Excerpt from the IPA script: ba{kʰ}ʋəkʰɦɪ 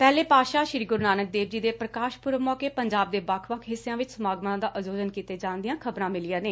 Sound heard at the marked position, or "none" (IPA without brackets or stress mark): kʰ